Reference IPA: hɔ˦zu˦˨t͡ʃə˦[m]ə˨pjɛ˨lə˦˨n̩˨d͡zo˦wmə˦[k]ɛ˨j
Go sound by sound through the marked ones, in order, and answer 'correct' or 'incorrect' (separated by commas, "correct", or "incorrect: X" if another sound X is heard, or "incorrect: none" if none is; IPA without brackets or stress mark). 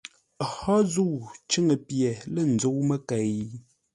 incorrect: ŋ, correct